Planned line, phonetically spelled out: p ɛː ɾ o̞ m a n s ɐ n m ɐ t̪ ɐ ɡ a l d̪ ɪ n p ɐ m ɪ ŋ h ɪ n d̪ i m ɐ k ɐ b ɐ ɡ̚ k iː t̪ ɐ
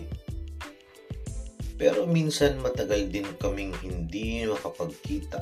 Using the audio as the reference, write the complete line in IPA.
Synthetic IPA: p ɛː ɾ o̞ m i n s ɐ n m ɐ t̪ ɐ ɡ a l d̪ ɪ n k ɐ m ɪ ŋ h ɪ n d̪ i m ɐ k ɐ p ɐ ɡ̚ k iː t̪ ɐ